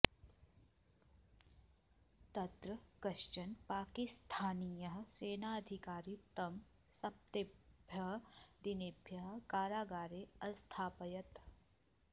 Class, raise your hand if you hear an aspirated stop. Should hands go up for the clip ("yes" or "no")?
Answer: yes